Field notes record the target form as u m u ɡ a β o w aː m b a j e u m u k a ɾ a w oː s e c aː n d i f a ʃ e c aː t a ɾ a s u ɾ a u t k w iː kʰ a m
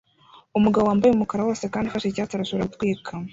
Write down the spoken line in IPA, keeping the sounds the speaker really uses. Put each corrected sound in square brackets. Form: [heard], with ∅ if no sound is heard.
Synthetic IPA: u m u ɡ a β o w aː m b a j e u m u k a ɾ a w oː s e [k] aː n d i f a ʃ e c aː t a ɾ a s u ɾ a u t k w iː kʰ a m